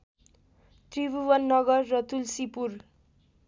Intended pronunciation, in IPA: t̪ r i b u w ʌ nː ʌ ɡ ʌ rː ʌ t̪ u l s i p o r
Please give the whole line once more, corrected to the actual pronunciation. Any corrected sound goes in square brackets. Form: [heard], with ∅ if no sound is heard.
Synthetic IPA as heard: t̪ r i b u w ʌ nː ʌ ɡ ʌ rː ʌ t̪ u l s i p [u] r